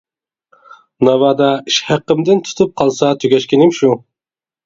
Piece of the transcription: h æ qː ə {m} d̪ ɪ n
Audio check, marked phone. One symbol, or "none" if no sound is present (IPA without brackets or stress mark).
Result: m